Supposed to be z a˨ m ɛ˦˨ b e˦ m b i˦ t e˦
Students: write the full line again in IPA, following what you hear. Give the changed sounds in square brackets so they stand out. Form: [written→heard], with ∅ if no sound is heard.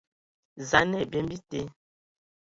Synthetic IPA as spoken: z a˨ [m→n] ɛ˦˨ b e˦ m b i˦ t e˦

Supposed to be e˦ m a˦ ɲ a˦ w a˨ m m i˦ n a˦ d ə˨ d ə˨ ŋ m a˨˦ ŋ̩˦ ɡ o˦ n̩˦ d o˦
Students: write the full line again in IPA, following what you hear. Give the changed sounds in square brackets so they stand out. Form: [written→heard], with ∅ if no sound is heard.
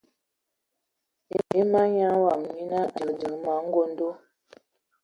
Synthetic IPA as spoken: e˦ m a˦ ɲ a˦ w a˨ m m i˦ n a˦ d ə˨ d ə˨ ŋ m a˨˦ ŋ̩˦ ɡ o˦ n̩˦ d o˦

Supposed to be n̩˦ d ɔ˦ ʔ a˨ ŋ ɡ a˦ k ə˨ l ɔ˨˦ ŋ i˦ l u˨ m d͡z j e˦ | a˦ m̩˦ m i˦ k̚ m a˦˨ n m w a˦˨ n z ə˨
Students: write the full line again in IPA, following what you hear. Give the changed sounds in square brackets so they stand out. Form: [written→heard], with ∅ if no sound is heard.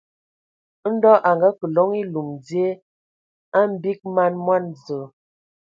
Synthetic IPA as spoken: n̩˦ d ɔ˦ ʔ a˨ ŋ ɡ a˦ k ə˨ l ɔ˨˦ ŋ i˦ l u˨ m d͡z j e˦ | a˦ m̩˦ [m→b] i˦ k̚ m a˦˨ n m w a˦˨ n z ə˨

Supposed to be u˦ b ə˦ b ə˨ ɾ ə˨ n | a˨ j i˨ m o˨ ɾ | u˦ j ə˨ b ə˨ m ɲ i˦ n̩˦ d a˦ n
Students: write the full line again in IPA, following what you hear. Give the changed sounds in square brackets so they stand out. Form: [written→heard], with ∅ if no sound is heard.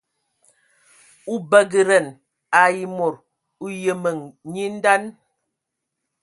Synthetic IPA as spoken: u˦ b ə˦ [b→ɡ] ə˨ ɾ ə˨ n | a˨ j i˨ m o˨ ɾ | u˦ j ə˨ [b→m] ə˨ [m→ŋ] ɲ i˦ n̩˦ d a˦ n

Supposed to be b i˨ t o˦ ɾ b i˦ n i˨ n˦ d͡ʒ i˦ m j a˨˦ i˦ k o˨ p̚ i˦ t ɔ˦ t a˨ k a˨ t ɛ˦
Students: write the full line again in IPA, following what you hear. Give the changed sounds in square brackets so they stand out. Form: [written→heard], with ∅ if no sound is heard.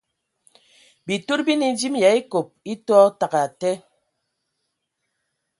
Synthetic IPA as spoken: b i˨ t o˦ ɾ b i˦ n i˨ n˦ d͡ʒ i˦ m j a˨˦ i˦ k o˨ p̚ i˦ t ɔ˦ t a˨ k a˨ t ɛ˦

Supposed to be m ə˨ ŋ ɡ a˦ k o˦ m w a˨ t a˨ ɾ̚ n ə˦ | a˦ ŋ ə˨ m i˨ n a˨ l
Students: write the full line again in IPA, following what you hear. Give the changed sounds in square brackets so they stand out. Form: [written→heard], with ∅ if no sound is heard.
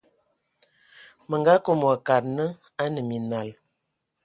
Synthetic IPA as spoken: m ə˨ ŋ ɡ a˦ k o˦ m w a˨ [t→k] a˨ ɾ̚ n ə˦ | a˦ [ŋ→n] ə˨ m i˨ n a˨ l

